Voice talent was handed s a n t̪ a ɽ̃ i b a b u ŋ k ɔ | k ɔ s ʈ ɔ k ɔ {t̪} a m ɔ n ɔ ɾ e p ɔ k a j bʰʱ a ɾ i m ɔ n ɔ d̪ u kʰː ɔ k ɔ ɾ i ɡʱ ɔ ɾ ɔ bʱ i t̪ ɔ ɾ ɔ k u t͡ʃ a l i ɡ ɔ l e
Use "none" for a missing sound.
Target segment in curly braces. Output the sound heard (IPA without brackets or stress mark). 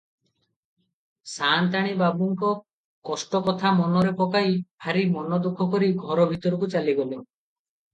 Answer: t̪ʰ